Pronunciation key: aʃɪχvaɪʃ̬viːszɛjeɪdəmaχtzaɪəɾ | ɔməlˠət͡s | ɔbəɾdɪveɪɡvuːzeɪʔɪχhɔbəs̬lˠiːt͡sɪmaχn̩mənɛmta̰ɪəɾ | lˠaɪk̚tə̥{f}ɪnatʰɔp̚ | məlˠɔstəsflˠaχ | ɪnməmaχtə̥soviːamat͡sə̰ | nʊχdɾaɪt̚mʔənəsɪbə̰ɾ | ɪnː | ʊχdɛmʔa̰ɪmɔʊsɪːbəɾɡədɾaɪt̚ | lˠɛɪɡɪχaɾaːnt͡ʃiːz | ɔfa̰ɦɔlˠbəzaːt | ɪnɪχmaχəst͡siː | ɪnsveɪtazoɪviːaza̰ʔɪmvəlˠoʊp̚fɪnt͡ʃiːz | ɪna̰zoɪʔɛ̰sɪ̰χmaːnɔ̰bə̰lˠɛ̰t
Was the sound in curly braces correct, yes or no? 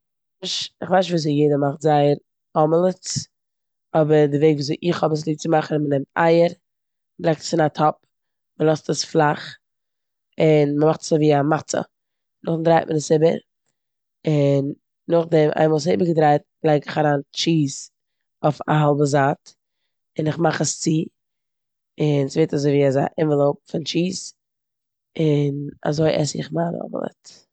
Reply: no